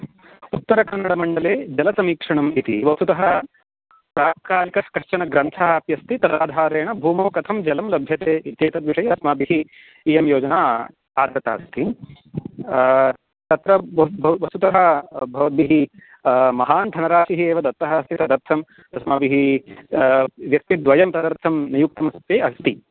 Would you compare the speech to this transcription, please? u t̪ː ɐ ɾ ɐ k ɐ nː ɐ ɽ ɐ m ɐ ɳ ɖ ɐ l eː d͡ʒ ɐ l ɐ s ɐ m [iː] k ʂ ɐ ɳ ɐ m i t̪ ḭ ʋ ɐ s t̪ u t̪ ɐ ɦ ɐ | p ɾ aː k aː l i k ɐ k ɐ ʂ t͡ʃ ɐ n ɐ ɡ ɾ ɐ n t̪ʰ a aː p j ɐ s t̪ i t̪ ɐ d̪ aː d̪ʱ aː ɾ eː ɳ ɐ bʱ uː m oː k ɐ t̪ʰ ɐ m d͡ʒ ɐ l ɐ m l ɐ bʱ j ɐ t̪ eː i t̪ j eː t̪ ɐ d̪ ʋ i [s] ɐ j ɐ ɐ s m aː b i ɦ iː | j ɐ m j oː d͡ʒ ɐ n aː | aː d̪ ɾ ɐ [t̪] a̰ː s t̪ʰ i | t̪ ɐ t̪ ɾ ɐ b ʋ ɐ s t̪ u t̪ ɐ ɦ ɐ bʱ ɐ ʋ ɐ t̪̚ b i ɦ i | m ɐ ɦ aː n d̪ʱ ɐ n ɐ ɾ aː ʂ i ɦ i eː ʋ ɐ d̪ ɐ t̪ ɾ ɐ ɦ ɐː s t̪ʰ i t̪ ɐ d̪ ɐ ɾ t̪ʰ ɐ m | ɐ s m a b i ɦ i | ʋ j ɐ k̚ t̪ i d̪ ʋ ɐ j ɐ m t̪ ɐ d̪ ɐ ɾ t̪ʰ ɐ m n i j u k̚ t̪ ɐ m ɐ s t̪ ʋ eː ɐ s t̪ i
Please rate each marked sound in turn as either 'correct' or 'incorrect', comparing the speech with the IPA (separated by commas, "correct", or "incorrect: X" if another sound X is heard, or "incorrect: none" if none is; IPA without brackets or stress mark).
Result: correct, incorrect: ʂ, correct